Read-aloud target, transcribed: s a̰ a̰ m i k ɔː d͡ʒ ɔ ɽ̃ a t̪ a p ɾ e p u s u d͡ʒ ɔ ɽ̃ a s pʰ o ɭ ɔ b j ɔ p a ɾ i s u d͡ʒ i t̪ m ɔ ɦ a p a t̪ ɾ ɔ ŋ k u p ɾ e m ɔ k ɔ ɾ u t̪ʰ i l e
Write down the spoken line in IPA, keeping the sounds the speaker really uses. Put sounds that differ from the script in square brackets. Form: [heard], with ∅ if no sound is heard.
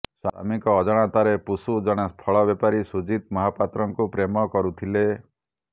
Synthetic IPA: s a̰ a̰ m i k ɔː d͡ʒ ɔ ɽ̃ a t̪ a [∅] ɾ e p u s u d͡ʒ ɔ ɽ̃ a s pʰ [ɔ] ɭ ɔ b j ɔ p a ɾ i s u d͡ʒ i t̪ m ɔ ɦ a p a t̪ ɾ ɔ ŋ k u p ɾ e m ɔ k ɔ ɾ u t̪ʰ i l e